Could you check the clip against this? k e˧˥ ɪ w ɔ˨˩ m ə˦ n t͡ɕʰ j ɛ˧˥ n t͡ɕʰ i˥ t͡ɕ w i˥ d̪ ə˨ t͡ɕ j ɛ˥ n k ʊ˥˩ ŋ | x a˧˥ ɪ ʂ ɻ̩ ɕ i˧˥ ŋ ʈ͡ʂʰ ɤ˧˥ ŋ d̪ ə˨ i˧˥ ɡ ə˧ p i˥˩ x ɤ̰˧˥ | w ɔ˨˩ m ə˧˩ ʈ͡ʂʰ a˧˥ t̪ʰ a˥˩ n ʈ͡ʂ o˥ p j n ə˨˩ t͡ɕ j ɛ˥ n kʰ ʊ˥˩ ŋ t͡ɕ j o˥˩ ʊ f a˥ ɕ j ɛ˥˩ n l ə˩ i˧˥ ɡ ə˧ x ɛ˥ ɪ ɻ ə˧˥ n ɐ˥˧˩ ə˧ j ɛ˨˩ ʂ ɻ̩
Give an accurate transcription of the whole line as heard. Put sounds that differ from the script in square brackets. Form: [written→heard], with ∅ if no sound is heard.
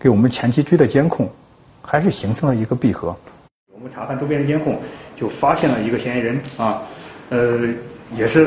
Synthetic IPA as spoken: k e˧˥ ɪ w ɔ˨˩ m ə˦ n t͡ɕʰ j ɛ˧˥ n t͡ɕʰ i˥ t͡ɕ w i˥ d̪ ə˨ t͡ɕ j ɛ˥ n [k→kʰ] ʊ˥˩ ŋ | x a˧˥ ɪ ʂ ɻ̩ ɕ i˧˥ ŋ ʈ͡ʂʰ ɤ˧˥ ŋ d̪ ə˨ i˧˥ ɡ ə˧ p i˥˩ x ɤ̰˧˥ | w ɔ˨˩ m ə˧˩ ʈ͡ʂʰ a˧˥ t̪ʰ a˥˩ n ʈ͡ʂ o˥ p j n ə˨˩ t͡ɕ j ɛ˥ n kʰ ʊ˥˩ ŋ t͡ɕ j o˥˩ ʊ f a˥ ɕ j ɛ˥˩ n l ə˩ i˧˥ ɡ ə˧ [x→ɕ] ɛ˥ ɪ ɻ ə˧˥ n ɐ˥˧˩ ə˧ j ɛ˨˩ ʂ ɻ̩